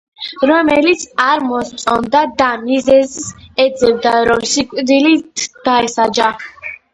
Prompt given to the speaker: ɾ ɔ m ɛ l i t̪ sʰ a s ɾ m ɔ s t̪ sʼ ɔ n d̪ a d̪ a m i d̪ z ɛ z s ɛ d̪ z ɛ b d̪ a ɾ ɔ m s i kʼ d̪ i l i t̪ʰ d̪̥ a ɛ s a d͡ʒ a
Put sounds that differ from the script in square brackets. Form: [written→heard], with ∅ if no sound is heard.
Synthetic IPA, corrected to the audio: ɾ ɔ m ɛ l i t̪ sʰ a [s→∅] ɾ m ɔ s t̪ sʼ ɔ n d̪ a d̪ a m i [d̪→∅] z ɛ z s ɛ d̪ z ɛ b d̪ a ɾ ɔ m s i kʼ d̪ i l i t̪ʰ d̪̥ a ɛ s a d͡ʒ a

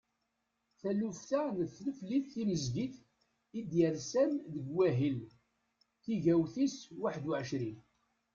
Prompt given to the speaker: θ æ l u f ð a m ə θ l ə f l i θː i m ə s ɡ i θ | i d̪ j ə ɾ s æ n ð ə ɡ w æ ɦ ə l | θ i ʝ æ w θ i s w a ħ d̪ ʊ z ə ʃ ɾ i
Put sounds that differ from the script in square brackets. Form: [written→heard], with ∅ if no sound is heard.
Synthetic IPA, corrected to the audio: θ æ l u f [ð→θ] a [m→n] ə θ l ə f l i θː i m ə [s→z] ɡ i θ | i d̪ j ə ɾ s æ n ð ə ɡ w æ ɦ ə l | θ i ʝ æ w θ i s w a ħ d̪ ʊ [z→ʕ] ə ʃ ɾ i

